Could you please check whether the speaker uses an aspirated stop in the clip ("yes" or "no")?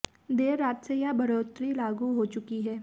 no